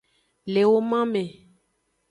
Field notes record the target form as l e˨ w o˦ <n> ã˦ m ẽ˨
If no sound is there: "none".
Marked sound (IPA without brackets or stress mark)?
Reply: m